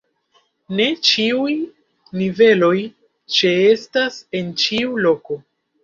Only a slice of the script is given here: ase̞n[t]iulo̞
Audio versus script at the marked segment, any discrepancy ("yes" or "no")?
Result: yes